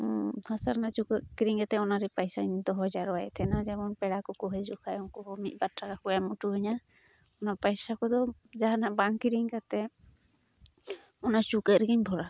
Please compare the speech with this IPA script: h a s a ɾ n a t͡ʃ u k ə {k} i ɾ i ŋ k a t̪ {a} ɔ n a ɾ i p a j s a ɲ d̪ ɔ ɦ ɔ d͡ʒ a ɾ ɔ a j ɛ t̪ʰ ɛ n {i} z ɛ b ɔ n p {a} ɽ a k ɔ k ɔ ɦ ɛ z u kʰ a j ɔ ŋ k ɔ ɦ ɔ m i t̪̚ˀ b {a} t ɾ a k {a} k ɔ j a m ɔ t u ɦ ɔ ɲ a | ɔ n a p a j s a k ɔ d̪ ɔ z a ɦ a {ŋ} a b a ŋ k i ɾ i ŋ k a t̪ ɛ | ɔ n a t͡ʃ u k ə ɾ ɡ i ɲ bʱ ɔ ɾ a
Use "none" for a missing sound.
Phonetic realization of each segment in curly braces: k, ɛ, a, ɛ, a, a, n

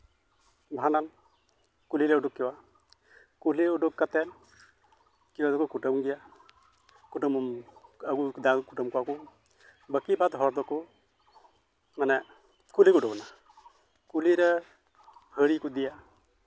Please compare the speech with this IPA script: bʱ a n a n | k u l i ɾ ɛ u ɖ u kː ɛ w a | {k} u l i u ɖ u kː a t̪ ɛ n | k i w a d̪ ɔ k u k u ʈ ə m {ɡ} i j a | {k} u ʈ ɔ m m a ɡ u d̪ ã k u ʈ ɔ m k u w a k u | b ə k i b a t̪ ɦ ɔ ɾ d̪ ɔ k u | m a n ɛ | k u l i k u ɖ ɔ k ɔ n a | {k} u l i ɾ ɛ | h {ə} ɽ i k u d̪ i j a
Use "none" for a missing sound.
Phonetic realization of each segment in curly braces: k, ɡ, k, k, ə

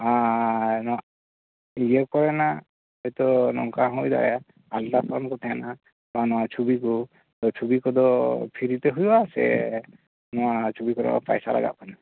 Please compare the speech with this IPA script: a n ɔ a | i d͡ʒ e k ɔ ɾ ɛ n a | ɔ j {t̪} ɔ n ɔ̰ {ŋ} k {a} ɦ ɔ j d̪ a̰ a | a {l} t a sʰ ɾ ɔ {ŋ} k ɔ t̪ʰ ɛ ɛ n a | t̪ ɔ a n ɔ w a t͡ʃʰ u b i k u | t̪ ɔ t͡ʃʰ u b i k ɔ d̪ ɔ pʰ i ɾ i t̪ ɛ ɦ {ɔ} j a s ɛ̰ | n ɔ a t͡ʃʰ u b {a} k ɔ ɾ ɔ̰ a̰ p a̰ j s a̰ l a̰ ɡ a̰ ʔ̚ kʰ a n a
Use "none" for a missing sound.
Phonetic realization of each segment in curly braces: t̪, ŋ, a, l, n, u, i

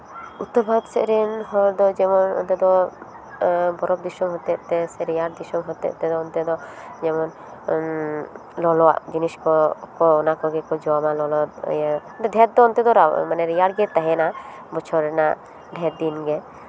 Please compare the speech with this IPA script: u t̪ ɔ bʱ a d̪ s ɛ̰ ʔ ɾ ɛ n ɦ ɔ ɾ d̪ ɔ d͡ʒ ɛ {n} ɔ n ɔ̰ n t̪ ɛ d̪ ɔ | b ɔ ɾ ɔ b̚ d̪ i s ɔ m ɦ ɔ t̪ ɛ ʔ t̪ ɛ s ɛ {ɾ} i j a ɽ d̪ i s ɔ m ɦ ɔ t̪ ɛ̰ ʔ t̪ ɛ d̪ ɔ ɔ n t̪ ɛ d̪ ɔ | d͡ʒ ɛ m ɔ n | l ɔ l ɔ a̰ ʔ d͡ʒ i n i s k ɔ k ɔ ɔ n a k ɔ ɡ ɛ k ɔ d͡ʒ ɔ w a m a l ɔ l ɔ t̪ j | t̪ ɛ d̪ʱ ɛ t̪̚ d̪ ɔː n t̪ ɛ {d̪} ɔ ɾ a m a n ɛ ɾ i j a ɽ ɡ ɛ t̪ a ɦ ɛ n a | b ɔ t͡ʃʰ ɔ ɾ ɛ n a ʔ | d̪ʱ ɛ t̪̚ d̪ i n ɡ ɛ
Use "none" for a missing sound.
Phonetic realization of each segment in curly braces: m, ɾ, d̪

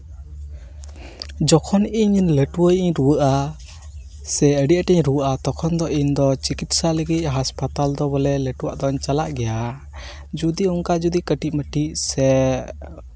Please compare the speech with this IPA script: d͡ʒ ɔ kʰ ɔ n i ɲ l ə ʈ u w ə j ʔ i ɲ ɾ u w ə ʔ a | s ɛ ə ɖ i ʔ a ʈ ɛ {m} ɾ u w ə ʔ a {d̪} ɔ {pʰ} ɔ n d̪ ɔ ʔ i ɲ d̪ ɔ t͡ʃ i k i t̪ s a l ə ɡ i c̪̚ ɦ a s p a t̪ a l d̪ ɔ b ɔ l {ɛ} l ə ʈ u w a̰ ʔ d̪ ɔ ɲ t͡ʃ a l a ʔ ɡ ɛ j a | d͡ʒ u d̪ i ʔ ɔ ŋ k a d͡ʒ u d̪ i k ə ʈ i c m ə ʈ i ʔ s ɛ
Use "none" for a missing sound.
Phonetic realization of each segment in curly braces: ɲ, t̪, kʰ, ɛ

